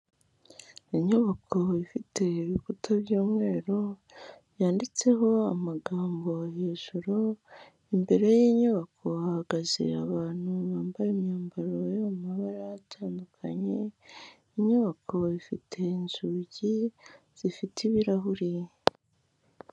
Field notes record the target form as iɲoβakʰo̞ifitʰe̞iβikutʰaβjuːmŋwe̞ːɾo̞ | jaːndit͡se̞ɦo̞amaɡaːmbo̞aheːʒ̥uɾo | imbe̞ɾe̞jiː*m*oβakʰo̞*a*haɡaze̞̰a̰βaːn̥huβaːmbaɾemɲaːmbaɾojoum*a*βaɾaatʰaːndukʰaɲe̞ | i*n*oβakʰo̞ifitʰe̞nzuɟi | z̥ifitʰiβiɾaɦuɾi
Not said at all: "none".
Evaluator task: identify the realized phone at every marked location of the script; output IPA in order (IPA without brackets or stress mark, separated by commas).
ɲ, a, a, ɲ